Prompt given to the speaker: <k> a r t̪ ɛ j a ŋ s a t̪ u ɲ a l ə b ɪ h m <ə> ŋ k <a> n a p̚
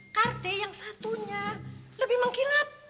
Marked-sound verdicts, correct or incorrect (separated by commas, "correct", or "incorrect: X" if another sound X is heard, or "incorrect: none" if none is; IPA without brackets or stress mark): correct, correct, incorrect: i